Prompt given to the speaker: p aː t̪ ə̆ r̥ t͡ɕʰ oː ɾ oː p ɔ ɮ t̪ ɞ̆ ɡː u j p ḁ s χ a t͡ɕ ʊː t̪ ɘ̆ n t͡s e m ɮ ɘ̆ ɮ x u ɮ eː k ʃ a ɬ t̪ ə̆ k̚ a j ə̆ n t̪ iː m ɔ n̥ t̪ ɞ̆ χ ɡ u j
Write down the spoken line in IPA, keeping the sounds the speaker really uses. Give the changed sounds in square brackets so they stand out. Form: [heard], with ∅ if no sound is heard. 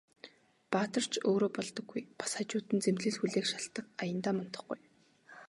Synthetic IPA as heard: p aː t̪ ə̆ r̥ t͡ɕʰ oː ɾ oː p ɔ ɮ t̪ ɞ̆ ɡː u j p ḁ s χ a t͡ɕ ʊː t̪ ɘ̆ n t͡s e m ɮ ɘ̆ ɮ x u ɮ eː k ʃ a ɬ t̪ ə̆ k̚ a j ə̆ n t̪ [aː] m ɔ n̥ t̪ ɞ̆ χ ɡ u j